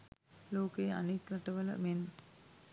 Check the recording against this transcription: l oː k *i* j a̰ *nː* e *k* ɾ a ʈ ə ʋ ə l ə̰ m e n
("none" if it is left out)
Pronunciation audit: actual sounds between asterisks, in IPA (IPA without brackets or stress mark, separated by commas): e, n, k